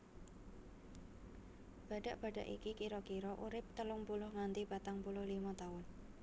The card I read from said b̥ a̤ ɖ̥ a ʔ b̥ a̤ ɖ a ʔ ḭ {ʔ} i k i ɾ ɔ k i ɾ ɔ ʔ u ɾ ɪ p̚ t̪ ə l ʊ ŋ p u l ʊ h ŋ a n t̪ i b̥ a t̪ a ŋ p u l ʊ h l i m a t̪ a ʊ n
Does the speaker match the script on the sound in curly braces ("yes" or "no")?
no